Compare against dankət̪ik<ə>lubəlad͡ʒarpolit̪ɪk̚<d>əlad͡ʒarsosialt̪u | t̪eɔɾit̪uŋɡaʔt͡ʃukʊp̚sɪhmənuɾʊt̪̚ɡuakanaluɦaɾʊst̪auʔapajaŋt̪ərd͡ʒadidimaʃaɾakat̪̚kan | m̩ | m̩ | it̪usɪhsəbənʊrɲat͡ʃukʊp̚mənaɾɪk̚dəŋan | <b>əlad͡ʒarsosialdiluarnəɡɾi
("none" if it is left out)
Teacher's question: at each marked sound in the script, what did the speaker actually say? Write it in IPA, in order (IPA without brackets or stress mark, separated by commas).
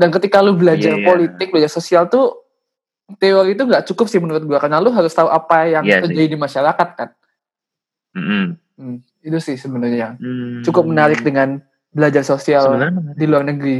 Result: a, b, b